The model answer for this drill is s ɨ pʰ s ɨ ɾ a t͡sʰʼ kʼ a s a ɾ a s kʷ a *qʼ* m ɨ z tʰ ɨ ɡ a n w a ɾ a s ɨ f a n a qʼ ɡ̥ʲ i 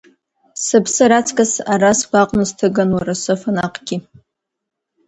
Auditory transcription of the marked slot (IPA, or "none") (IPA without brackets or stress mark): qʼ